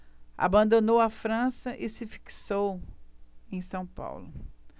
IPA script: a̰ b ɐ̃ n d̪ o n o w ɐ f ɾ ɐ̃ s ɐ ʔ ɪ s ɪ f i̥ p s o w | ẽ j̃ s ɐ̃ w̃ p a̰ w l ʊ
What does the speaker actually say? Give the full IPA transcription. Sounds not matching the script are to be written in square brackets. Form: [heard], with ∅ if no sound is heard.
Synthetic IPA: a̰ b ɐ̃ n d̪ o n o w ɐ f ɾ ɐ̃ s ɐ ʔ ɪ s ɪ f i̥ [k] s o w | ẽ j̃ s ɐ̃ w̃ p a̰ w l ʊ